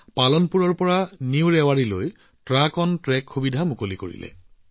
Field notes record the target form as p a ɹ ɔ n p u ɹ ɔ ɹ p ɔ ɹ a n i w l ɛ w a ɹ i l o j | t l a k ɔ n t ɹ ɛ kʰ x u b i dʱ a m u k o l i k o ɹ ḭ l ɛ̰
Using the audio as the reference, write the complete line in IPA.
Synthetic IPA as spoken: p a l ɔ n p u ɹ ɔ ɹ p ɔ ɹ a n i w ɹ ɛ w a ɹ i l o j | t ɹ a k ɔ n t ɹ ɛ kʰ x u b i dʱ a m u k o l i k o ɹ ḭ l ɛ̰

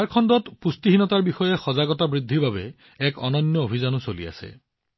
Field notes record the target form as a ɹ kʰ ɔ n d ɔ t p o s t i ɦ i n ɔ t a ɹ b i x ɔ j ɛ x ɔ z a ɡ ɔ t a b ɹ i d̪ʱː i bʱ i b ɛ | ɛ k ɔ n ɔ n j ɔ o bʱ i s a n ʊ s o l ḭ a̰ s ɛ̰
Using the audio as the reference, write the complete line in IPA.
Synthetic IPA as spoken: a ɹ kʰ ɔ n d ɔ t p u s t i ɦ i n ɔ t a ɹ b i x ɔ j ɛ x ɔ z a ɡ ɔ t a b ɹ i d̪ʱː i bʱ a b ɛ | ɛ k ɔ n ɔ n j ɔ o bʱ i z a n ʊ s o l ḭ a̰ s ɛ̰

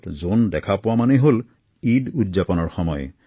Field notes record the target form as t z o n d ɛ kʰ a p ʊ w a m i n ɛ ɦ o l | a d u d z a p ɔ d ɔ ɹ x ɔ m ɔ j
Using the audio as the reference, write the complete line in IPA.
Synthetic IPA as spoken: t z o n d ɛ kʰ a p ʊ w a m a n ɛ ɦ o l | i d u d z a p ɔ n ɔ ɹ x ɔ m ɔ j

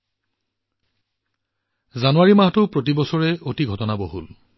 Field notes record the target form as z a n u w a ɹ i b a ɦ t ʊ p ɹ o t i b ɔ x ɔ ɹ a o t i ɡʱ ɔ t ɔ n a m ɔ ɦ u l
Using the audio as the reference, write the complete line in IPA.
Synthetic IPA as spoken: z a n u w a ɹ i m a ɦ t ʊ p ɹ o t i b ɔ s ɔ ɹ ɛ o t i ɡʱ ɔ t ɔ n a b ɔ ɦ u l

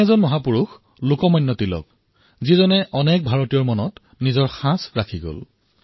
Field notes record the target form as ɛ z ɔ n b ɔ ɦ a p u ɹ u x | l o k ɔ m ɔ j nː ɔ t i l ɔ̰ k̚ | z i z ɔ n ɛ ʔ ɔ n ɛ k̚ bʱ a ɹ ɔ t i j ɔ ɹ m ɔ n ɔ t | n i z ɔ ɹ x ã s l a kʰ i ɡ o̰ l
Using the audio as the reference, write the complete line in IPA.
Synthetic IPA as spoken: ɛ z ɔ n m ɔ ɦ a p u ɹ u x | l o k ɔ m ɔ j nː ɔ t i l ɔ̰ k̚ | z i z ɔ n ɛ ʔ ɔ n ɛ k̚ bʱ a ɹ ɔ t i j ɔ ɹ m ɔ n ɔ t | n i z ɔ ɹ x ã s ɹ a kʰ i ɡ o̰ l

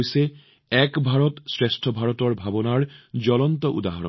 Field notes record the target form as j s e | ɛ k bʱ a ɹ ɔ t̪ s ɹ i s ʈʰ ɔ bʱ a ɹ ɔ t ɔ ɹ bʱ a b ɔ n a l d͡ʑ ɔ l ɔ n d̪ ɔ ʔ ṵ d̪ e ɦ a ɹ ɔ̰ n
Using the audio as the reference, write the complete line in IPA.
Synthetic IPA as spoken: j s e | ɛ k bʱ a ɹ ɔ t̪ s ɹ e s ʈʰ ɔ bʱ a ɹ ɔ t ɔ ɹ bʱ a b ɔ n a ɹ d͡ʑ ɔ l ɔ n t̪ ɔ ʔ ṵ d̪ a ɦ a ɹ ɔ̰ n

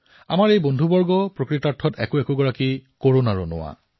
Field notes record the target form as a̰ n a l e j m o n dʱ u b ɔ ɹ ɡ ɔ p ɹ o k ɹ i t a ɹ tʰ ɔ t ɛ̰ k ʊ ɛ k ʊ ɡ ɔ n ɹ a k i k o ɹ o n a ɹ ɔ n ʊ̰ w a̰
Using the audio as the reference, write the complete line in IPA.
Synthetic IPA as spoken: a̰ m a ɹ e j b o n dʱ u b ɔ ɹ ɡ ɔ p ɹ o k ɹ i t a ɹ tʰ ɔ t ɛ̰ k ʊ ɛ k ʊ ɡ ɔ ɹ a k i k o ɹ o n a ɹ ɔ n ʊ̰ w a̰

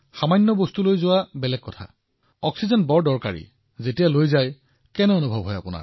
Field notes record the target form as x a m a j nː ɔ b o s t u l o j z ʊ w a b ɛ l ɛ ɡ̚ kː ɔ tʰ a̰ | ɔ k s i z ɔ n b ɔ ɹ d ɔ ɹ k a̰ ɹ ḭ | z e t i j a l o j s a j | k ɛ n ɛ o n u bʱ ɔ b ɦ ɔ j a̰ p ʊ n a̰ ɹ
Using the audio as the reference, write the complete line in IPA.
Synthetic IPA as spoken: x a m a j nː ɔ b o s t u l o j z ʊ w a b ɛ l ɛ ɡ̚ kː ɔ tʰ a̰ | ɔ k s i z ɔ n b ɔ ɹ d ɔ ɹ k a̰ ɹ ḭ | z e t i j a l o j z a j | k ɛ n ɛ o n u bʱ ɔ b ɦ ɔ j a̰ p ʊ n a̰ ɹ

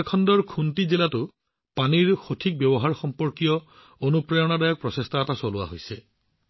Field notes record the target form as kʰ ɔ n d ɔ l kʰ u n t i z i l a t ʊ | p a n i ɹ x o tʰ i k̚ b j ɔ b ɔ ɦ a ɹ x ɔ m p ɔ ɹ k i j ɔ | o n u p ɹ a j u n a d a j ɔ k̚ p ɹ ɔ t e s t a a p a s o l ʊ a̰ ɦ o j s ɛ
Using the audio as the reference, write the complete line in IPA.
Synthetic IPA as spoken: kʰ ɔ n d ɔ ɹ kʰ u n t i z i l a t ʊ | p a n i ɹ x o tʰ i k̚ b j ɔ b ɔ ɦ a ɹ x ɔ m p ɔ ɹ k i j ɔ | o n u p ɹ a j ɔ n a d a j ɔ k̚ p ɹ ɔ s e s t a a t a s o l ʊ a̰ ɦ o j s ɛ

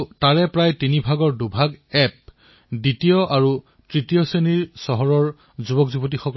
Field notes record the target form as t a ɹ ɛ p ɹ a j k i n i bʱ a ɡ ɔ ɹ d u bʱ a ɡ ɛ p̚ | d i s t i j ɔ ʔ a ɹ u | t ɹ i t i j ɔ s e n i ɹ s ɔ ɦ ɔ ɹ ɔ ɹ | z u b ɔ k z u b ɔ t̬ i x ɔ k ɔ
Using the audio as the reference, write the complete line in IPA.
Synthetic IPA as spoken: t a ɹ ɛ p ɹ a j t i n i bʱ a ɡ ɔ ɹ d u bʱ a ɡ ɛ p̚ | d i t i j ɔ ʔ a ɹ u | t ɹ i t i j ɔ s e n i ɹ s ɔ ɦ ɔ ɹ ɔ ɹ | z u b ɔ k z u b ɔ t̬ i x ɔ k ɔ

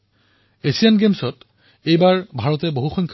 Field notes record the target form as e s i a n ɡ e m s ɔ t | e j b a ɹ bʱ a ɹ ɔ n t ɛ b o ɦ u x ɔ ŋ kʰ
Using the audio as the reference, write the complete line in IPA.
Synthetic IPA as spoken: e s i a n ɡ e m s ɔ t | e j b a ɹ bʱ a ɹ ɔ t ɛ b o ɦ u x ɔ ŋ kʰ

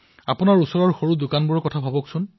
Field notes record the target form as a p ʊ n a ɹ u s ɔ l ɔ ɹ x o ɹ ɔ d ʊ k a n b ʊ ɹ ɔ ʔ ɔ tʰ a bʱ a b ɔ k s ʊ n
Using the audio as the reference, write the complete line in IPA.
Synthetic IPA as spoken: a p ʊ n a ɹ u s ɔ ɹ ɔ ɹ x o ɹ u d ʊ k a n b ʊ ɹ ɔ k ɔ tʰ a bʱ a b ɔ k s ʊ n

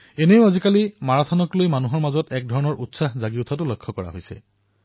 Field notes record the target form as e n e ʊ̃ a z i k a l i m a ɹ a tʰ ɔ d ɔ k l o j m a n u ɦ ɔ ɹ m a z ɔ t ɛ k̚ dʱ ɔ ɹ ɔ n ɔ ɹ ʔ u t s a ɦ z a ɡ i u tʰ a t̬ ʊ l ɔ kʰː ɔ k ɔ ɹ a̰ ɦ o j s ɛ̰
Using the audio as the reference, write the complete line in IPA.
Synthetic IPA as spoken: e n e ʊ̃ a z i k a l i m a ɹ a tʰ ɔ n ɔ k l o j m a n u ɦ ɔ ɹ m a z ɔ t ɛ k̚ dʱ ɔ ɹ ɔ n ɔ ɹ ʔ u t s a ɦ z a ɡ i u tʰ a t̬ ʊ l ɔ kʰː ɔ k ɔ ɹ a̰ ɦ o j s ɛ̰

